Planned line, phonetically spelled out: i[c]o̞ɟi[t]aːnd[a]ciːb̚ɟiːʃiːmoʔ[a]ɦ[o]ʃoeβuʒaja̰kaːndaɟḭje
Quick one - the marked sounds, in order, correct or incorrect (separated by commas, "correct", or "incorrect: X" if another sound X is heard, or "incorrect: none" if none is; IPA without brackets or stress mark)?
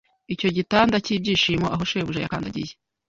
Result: correct, correct, correct, correct, correct